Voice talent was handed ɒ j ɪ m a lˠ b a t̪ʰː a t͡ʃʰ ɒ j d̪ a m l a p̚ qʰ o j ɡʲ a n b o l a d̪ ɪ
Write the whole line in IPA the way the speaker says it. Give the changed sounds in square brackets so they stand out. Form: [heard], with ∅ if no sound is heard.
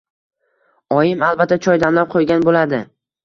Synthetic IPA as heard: ɒ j ɪ m a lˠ b a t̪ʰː a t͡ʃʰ ɒ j d̪ a m l a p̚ qʰ o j ɡʲ a n b o l a d̪ ɪ